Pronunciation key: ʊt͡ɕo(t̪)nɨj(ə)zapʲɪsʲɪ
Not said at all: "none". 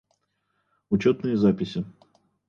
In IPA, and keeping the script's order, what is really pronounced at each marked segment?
t̪, ə

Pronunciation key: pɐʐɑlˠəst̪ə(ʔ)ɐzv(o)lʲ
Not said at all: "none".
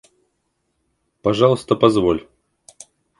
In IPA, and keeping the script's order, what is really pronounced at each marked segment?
p, o

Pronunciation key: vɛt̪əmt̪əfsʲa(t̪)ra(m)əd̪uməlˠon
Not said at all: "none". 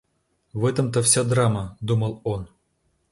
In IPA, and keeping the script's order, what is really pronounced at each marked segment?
d̪, m

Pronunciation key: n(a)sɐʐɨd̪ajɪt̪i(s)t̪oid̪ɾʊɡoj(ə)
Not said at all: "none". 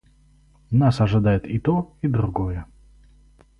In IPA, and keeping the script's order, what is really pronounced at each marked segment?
a, none, ə

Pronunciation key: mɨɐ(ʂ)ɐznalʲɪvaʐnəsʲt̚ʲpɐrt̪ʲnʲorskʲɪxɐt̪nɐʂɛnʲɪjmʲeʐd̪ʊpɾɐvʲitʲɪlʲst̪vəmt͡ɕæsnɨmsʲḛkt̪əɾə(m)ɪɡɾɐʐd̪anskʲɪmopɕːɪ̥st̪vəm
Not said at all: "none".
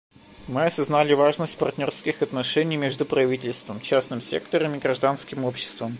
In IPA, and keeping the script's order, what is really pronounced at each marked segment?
s, m

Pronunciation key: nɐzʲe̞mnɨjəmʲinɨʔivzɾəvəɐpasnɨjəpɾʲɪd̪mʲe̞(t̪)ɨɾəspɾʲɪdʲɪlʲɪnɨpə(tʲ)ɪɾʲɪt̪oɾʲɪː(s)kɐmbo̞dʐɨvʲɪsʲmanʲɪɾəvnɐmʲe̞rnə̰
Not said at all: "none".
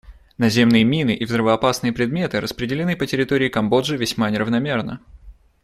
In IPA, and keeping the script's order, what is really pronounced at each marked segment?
t̪, tʲ, none

